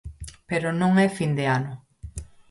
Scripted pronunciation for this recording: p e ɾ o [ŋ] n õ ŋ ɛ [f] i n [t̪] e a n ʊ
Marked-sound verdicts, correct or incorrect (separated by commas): incorrect, correct, incorrect